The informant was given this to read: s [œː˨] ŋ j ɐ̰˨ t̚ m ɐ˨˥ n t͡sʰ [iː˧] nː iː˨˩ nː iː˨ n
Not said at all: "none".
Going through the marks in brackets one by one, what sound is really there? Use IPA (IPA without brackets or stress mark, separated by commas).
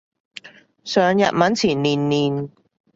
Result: œː˨, iː˨˩